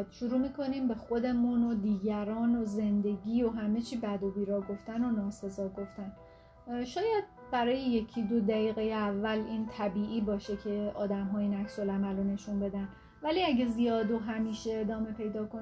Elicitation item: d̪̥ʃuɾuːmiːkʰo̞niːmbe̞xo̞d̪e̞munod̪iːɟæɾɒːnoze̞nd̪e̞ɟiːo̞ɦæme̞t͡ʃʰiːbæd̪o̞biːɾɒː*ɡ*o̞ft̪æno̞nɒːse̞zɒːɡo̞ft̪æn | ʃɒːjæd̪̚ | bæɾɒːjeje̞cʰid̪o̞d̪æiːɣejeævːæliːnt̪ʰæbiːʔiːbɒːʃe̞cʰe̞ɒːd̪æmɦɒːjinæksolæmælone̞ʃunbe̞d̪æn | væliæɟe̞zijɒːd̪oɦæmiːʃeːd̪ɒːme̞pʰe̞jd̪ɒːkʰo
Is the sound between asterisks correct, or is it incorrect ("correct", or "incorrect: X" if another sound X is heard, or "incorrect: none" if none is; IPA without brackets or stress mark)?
correct